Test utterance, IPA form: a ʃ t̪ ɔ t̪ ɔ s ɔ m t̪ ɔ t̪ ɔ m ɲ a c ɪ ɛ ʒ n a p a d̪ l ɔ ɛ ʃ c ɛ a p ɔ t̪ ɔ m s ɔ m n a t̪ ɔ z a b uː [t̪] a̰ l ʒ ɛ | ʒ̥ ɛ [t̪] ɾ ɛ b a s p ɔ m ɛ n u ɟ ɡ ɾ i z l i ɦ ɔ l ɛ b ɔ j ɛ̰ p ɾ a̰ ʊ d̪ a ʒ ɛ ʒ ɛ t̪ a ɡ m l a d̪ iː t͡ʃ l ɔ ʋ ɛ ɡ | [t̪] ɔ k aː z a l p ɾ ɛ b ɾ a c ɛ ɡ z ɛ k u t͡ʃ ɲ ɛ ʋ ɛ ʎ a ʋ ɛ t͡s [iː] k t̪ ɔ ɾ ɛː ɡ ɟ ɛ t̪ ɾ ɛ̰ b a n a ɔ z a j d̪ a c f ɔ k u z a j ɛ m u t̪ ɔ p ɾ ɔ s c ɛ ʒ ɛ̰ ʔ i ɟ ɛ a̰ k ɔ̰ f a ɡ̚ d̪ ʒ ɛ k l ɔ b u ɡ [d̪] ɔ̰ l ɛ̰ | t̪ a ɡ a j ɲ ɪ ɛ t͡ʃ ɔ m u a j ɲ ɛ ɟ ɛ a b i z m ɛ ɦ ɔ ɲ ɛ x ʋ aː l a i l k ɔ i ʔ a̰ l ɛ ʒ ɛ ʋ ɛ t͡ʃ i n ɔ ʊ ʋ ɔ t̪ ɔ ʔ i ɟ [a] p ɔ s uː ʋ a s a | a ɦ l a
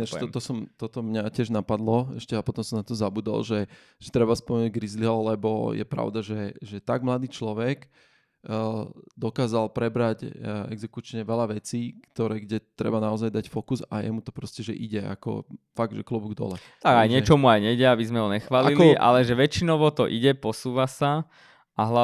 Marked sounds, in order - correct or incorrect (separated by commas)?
incorrect, correct, incorrect, correct, correct, incorrect